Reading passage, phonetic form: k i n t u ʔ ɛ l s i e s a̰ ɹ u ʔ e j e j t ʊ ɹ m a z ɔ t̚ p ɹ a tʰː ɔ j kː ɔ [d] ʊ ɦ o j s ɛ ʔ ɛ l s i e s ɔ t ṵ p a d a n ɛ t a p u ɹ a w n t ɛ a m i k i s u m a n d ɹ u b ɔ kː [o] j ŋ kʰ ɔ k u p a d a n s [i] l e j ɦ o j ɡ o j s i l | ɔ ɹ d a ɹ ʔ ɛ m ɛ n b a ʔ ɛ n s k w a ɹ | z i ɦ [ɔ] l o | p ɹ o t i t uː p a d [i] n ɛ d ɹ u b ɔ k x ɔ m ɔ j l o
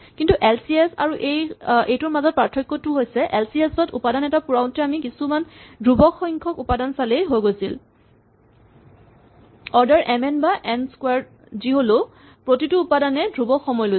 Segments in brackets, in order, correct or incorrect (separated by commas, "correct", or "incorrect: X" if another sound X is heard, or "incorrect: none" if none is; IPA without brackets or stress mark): incorrect: t, incorrect: ɔ, incorrect: a, incorrect: o, incorrect: a